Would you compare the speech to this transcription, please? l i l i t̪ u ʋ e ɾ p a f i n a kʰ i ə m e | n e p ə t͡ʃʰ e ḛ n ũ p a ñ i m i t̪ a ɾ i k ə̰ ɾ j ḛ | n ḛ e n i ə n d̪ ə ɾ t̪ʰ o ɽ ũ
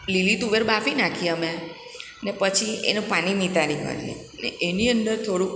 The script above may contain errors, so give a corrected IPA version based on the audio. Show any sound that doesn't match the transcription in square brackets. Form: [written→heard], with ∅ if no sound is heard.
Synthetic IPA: l i l i t̪ u ʋ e ɾ [p→b] a f i n a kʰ i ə m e | n e p ə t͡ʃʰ [e→i] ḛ n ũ p a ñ i m i t̪ a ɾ i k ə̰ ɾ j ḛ | n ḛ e n i ə n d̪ ə ɾ t̪ʰ o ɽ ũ